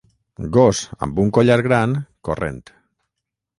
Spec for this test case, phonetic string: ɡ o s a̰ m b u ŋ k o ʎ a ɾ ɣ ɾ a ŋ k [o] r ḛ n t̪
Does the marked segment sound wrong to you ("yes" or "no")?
no